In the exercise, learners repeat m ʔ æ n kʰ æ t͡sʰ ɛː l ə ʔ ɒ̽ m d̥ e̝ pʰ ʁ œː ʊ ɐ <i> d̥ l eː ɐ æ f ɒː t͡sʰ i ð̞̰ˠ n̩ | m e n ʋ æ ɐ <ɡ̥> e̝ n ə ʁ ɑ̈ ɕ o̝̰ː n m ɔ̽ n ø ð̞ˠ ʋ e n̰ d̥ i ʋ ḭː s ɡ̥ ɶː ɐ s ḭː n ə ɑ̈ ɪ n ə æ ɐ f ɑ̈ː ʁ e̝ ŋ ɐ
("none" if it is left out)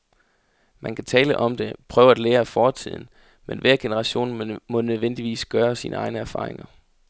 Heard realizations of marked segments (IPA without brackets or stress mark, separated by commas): æ, ɡ̥